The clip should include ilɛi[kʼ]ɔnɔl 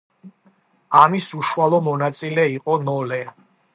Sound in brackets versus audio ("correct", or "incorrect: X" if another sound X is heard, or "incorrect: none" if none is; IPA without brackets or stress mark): incorrect: qʼ